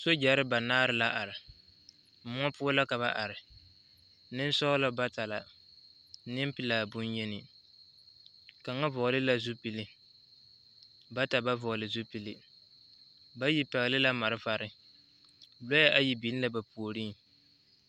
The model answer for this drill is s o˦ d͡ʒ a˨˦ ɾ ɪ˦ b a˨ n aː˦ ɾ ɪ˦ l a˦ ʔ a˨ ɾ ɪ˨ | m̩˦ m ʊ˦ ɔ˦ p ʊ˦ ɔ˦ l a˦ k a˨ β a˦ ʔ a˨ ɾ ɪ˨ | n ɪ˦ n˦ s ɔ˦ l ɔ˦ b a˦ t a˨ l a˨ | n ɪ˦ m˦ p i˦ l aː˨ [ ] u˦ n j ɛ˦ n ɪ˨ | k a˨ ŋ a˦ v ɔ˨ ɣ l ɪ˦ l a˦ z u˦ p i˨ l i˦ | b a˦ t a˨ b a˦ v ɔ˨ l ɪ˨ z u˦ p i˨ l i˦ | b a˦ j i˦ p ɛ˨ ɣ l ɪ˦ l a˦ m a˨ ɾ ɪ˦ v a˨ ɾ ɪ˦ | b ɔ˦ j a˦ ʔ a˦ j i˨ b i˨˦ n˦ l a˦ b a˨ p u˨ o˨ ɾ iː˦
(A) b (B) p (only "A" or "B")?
A